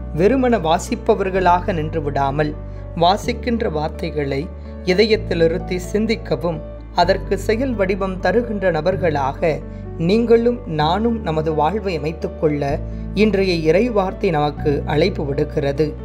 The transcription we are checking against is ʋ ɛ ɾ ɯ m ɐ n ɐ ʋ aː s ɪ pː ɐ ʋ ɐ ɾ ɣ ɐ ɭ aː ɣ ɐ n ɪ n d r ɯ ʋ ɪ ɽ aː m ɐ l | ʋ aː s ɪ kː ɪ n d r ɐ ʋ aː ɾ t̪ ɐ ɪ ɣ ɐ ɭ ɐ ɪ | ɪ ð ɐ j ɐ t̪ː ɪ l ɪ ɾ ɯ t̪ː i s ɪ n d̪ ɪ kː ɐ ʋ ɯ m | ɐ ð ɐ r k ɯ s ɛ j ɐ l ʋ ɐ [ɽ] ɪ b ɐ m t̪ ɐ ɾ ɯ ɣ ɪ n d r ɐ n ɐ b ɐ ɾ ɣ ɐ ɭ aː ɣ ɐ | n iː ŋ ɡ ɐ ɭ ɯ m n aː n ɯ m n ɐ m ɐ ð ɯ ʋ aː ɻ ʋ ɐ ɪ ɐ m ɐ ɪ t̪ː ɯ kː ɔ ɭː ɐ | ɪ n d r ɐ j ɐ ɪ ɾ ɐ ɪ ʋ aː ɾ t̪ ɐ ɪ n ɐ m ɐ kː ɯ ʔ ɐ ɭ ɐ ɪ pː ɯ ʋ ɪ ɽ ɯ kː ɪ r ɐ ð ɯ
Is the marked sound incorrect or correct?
correct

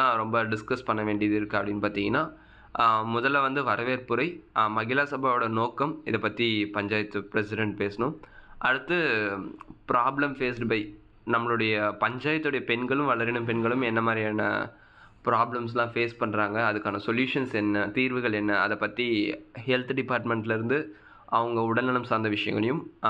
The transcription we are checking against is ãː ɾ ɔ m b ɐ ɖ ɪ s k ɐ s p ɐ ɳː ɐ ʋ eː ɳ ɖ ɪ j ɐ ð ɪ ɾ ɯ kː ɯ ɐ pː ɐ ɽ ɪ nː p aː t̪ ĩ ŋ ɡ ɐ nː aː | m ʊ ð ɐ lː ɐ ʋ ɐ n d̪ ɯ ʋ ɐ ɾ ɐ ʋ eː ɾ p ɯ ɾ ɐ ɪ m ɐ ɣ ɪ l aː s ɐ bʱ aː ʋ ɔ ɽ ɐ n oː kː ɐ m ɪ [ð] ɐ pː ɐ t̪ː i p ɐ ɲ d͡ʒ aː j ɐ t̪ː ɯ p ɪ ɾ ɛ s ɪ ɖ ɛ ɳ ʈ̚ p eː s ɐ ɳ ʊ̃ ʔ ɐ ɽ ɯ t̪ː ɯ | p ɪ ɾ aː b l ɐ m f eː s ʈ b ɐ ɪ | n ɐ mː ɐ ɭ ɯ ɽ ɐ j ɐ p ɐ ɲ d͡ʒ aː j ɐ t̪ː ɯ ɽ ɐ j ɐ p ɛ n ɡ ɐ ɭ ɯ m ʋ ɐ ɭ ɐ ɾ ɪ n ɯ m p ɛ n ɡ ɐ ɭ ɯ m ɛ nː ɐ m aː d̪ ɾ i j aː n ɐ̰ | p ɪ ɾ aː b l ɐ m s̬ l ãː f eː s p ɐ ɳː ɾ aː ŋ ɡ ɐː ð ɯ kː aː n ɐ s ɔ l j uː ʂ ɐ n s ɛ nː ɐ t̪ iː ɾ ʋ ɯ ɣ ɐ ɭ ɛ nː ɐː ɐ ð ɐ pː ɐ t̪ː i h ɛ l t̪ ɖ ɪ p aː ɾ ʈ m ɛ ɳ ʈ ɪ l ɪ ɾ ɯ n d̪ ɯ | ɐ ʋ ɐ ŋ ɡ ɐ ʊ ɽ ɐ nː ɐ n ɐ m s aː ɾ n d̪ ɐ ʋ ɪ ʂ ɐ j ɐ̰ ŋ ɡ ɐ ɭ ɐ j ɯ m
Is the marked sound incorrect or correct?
correct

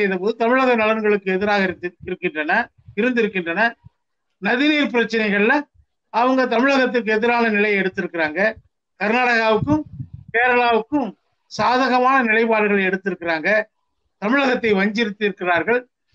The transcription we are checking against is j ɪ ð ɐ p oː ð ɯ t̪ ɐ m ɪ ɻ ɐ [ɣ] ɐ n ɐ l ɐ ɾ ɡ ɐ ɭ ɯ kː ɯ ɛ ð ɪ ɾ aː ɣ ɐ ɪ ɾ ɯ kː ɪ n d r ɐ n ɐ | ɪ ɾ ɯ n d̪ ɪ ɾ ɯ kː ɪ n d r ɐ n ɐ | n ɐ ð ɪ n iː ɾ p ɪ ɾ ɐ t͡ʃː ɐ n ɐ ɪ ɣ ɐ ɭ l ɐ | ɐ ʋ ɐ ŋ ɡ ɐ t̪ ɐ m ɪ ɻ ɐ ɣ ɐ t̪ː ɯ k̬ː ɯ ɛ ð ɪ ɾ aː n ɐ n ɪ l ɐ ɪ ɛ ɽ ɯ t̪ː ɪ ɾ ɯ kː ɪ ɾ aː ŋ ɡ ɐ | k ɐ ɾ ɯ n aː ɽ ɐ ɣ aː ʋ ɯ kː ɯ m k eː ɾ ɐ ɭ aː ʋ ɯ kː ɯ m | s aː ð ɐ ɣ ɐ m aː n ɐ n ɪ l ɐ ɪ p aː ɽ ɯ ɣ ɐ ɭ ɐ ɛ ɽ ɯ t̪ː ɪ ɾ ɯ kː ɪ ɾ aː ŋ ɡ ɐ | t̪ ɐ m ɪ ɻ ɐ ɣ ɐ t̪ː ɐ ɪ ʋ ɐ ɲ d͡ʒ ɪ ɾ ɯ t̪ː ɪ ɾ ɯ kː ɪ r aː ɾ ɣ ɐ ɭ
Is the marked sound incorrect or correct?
correct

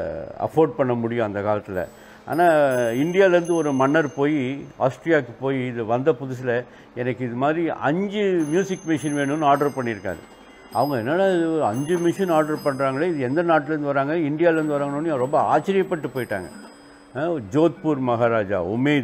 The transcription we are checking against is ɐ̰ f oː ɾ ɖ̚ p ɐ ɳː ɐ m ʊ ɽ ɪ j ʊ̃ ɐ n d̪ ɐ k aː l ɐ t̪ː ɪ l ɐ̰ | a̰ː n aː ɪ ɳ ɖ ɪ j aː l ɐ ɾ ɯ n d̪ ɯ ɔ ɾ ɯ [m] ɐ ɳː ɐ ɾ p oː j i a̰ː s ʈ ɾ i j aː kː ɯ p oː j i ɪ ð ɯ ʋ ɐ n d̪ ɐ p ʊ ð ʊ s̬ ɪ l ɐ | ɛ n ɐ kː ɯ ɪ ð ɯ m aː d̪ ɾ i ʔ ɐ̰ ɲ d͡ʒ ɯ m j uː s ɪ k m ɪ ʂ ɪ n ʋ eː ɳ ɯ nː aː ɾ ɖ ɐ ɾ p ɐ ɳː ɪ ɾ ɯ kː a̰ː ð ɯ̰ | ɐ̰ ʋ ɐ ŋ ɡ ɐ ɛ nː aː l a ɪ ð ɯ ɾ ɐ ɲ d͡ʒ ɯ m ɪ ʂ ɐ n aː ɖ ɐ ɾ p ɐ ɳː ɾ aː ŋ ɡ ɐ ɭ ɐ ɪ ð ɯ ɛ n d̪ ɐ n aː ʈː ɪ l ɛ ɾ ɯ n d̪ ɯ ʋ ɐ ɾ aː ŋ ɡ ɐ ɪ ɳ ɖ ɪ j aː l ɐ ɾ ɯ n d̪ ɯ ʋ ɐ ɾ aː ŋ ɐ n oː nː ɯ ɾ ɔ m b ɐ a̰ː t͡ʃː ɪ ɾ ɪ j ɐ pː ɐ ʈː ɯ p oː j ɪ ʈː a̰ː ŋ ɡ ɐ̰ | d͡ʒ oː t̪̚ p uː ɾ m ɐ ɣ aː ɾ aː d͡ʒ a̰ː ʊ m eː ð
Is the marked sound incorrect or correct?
correct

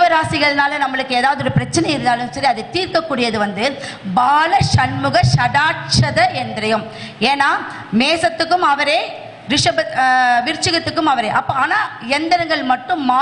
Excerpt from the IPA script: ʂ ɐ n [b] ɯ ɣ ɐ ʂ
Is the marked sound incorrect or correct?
incorrect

